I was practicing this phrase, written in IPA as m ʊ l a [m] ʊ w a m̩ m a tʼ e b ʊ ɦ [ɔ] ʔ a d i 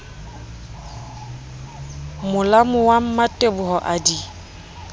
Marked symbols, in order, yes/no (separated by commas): yes, yes